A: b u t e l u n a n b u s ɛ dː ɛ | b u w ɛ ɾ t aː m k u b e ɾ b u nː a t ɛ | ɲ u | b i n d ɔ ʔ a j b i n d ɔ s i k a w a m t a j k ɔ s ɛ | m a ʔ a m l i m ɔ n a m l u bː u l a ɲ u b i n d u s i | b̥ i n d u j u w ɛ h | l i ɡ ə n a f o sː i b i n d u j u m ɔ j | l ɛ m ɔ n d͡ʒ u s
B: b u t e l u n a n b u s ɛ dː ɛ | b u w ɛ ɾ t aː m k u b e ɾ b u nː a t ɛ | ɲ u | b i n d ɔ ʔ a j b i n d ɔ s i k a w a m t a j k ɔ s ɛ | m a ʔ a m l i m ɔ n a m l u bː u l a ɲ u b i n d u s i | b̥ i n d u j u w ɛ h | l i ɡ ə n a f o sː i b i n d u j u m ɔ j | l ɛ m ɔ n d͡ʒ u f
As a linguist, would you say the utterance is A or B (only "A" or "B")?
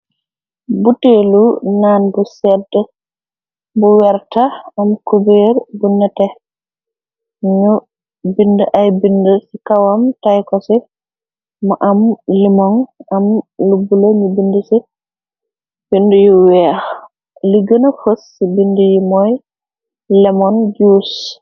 A